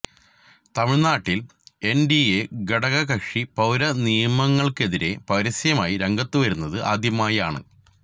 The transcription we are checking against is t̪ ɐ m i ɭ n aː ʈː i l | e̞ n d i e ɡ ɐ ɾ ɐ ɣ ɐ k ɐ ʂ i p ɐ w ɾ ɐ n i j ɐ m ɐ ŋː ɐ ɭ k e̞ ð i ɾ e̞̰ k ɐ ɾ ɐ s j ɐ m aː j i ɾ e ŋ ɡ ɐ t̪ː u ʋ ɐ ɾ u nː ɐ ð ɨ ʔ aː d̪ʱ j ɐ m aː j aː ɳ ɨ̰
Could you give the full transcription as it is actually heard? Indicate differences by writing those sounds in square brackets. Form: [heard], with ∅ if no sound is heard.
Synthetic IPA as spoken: t̪ ɐ m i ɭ n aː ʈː i l | e̞ n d i e ɡ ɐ [ɽ] ɐ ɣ ɐ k ɐ ʂ i p ɐ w ɾ ɐ n i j ɐ m ɐ ŋː ɐ ɭ k e̞ ð i ɾ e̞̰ [p] ɐ ɾ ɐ s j ɐ m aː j i ɾ e ŋ ɡ ɐ t̪ː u ʋ ɐ ɾ u nː ɐ ð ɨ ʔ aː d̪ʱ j ɐ m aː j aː ɳ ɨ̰